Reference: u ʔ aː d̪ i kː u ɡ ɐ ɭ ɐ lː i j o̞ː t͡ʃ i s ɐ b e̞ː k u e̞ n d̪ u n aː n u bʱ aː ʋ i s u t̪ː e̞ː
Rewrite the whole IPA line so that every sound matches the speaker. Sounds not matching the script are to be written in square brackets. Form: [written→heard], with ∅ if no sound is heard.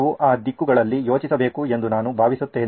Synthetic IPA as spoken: u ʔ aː d̪ i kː u ɡ ɐ ɭ ɐ lː i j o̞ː t͡ʃ i s ɐ b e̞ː k u e̞ n d̪ u n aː n u bʱ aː ʋ i s u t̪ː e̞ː